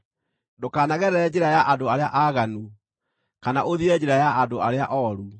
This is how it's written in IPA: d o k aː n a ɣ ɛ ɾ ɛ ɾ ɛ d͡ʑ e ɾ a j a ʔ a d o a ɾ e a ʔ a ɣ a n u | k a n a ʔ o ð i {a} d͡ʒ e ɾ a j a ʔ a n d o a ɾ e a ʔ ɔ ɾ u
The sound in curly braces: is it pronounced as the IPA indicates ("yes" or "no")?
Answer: no